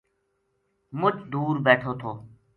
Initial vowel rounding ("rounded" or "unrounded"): rounded